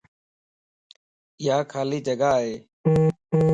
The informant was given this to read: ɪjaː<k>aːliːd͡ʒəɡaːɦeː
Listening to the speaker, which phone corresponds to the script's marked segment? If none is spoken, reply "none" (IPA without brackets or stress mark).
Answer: kʰ